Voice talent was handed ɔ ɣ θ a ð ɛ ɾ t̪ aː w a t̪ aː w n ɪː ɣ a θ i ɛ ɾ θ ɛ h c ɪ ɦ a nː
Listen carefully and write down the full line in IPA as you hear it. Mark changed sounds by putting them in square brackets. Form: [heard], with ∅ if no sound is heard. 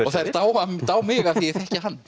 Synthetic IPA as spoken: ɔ ɣ θ a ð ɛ ɾ t̪ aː w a t̪ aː w [m] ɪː ɣ a θ i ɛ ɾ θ ɛ h c ɪ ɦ a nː